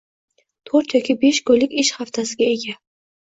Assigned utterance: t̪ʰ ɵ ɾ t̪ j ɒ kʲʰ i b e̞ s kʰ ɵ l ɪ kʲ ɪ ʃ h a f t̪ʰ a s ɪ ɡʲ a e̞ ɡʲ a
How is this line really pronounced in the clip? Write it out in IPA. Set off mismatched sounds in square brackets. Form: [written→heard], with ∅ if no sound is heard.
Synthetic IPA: t̪ʰ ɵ ɾ t̪ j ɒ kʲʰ i b e̞ [s→ʃ] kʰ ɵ l ɪ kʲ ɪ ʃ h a f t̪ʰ a s ɪ ɡʲ a e̞ ɡʲ a